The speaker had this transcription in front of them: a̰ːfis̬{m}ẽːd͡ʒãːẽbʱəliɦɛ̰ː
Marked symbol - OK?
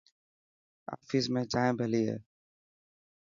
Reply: yes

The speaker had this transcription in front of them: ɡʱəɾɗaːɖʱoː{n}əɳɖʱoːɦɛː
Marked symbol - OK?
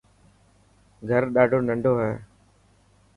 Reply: yes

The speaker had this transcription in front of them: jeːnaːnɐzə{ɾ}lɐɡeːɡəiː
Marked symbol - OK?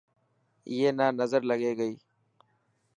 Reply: yes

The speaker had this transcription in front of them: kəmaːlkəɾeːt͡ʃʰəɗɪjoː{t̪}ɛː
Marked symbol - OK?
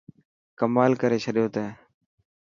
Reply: yes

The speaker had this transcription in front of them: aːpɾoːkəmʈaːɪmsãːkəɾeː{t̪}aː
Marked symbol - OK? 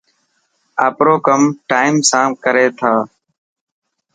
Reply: no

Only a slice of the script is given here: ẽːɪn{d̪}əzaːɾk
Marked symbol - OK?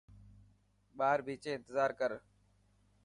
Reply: no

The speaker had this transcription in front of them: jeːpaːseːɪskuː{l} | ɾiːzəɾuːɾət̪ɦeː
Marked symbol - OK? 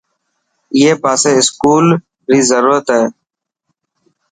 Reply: yes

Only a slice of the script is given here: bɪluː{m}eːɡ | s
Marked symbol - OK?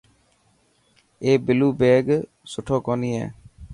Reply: no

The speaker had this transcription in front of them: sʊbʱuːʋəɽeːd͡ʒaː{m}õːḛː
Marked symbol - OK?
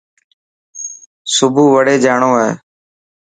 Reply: no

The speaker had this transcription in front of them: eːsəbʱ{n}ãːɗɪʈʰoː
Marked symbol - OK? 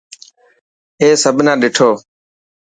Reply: yes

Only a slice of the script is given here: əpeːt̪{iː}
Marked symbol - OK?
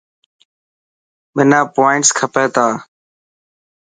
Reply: no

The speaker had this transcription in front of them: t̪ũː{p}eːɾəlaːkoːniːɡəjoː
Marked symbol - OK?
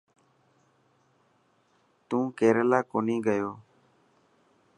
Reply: no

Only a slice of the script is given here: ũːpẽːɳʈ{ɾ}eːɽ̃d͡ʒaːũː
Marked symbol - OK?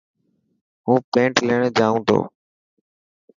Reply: no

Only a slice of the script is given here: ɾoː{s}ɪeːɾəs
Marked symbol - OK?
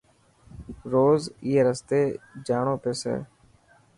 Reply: no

